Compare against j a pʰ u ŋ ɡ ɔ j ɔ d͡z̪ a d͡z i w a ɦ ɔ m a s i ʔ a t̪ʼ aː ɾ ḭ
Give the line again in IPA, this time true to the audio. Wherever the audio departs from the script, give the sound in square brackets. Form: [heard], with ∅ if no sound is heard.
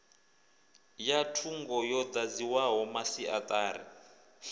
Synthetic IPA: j a [tʰ] u ŋ ɡ ɔ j ɔ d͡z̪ a d͡z i w a ɦ ɔ m a s i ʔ a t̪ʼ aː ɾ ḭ